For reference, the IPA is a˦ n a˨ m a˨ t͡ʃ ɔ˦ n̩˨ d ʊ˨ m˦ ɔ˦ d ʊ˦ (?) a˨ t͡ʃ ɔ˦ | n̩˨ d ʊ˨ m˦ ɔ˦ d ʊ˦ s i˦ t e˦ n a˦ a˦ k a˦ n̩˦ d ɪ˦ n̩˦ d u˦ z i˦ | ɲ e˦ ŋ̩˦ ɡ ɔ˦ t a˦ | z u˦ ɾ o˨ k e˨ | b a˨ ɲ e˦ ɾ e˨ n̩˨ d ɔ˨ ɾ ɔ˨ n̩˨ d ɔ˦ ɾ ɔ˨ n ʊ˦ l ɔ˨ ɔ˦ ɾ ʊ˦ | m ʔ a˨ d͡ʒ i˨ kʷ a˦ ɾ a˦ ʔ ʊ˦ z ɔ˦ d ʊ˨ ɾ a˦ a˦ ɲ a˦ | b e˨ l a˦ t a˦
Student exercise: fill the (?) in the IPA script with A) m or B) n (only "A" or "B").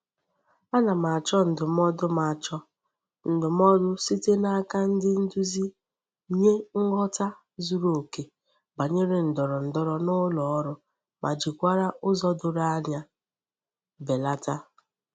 A